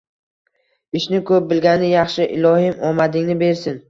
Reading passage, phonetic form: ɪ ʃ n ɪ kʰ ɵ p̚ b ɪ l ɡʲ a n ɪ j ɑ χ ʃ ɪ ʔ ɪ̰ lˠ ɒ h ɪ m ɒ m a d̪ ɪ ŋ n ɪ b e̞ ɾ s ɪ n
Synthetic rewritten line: ɪ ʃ n ɪ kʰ ɵ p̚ b ɪ l ɡʲ a n ɪ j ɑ χ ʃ ɪ ʔ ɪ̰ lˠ ɒ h ɪ m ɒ m a d̪ ɪ ŋ n ɪ b e̞ ɾ s ɪ n